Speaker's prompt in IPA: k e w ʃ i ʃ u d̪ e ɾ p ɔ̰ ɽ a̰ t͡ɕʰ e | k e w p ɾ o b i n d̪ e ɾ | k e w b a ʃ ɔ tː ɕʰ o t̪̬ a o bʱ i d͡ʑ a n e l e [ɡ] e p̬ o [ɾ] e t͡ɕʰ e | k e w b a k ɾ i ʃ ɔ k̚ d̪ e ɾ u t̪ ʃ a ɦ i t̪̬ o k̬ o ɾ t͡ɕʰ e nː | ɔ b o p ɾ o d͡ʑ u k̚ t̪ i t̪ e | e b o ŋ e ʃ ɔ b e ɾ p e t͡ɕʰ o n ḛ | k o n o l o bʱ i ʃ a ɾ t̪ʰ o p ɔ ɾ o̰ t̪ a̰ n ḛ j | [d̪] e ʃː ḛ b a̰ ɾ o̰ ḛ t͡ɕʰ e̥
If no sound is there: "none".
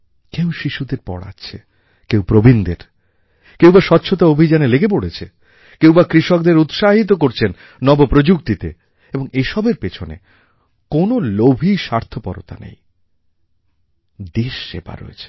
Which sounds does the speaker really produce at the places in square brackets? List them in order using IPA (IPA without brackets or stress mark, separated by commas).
ɡ, ɽ, d̪